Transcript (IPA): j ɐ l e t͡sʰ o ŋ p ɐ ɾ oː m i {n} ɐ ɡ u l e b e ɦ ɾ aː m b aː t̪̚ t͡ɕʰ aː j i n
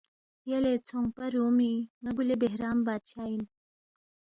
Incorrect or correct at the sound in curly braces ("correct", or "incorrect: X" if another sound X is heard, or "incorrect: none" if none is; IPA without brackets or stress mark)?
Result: incorrect: ŋ